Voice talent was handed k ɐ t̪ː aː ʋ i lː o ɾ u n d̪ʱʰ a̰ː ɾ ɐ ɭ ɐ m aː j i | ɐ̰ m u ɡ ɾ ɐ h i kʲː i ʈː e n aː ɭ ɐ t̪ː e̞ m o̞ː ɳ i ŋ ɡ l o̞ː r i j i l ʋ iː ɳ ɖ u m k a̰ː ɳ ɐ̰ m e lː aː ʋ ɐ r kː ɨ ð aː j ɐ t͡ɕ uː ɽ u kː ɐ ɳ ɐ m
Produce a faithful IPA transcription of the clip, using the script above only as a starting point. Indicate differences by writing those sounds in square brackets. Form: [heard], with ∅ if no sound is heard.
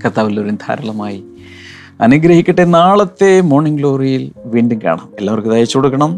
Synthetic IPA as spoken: k ɐ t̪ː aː ʋ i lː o ɾ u n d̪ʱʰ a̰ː ɾ ɐ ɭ ɐ m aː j i | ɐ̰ [n] u ɡ ɾ ɐ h i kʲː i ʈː e n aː ɭ ɐ t̪ː e̞ m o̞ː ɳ i ŋ ɡ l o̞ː r i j i l ʋ iː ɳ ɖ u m k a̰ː ɳ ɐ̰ m e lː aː ʋ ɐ r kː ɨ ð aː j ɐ t͡ɕ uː ɽ u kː ɐ ɳ ɐ m